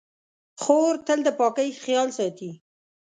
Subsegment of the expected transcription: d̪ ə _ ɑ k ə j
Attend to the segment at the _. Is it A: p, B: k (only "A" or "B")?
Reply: A